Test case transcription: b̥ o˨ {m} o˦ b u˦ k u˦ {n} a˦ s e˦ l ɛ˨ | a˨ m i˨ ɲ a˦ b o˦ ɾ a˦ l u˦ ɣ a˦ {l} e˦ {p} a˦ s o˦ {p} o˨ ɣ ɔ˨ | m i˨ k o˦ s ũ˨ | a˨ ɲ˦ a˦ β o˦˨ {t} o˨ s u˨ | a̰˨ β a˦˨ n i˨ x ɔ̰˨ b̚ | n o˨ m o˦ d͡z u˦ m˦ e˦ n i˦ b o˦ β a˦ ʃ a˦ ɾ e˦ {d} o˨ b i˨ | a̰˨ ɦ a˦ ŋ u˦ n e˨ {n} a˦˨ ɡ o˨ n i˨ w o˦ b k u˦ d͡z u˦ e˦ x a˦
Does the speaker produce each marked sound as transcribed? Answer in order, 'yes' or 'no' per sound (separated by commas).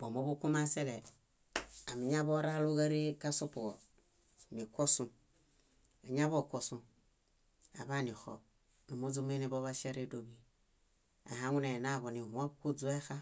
yes, no, no, no, yes, no, yes, yes